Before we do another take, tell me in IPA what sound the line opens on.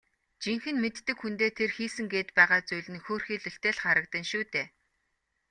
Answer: t͡ɕ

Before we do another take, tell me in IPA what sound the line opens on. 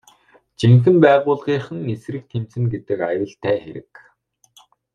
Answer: t͡ɕ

